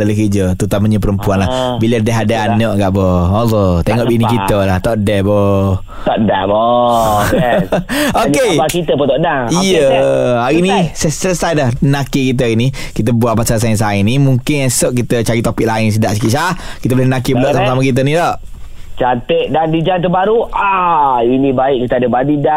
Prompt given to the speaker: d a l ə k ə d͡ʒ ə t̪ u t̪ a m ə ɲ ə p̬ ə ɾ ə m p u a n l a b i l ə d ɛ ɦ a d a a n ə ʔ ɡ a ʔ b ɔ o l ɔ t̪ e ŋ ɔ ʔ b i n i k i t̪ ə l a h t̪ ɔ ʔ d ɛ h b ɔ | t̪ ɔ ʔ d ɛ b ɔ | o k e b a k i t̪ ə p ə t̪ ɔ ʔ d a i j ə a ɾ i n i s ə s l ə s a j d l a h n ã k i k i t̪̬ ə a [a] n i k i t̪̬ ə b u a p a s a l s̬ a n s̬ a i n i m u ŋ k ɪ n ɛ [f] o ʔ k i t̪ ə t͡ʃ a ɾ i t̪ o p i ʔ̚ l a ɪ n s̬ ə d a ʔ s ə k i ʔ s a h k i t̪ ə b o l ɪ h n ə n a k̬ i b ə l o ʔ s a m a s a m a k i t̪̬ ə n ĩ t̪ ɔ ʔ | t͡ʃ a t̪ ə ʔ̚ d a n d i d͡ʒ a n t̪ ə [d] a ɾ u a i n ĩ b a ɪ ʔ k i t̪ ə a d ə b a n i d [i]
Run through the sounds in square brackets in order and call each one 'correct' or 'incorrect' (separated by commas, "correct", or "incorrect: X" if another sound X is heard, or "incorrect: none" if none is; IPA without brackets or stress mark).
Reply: incorrect: i, incorrect: s, incorrect: b, incorrect: a